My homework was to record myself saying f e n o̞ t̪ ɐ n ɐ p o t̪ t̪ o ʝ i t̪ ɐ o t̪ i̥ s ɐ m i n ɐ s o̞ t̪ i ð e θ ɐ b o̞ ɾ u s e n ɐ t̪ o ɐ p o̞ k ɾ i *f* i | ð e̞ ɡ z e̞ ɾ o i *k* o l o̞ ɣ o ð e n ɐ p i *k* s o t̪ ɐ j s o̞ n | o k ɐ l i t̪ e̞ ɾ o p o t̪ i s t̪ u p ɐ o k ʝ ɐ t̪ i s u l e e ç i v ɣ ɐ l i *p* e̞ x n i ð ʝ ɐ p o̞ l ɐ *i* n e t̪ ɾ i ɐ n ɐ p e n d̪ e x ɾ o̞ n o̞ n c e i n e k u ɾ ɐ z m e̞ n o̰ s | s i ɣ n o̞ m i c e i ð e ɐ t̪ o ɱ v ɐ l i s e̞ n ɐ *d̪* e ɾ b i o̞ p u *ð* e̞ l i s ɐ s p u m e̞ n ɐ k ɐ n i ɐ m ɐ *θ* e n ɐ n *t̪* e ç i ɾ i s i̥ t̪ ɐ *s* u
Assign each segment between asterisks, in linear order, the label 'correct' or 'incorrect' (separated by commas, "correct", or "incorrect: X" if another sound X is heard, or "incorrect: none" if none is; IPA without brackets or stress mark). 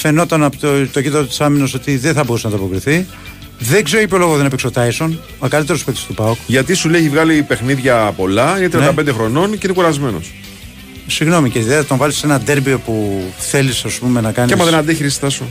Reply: incorrect: θ, incorrect: p, correct, correct, correct, correct, incorrect: θ, incorrect: ð, incorrect: d̪, correct